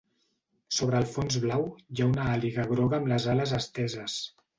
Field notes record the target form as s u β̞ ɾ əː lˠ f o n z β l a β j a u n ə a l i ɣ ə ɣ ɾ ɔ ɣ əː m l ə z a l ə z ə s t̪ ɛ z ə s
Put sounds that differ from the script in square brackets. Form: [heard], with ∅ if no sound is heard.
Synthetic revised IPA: s [o] β̞ ɾ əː lˠ f o n z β l a [w] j a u n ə a l i ɣ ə ɣ ɾ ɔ ɣ əː m l ə z a l ə z ə s t̪ ɛ z ə s